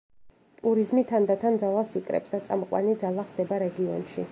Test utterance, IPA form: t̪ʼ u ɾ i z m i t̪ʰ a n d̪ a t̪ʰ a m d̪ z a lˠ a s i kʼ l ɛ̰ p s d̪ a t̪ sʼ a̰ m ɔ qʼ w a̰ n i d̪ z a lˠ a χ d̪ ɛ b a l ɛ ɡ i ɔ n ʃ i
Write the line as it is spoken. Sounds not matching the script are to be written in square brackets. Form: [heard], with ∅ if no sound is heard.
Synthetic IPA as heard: t̪ʼ u ɾ i z m i t̪ʰ a n d̪ a t̪ʰ a [n] d̪ z a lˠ a s i kʼ [ɾ] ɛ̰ p s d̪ a t̪ sʼ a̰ m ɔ qʼ w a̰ n i d̪ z a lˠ a χ d̪ ɛ b a [ɾ] ɛ ɡ i ɔ n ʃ i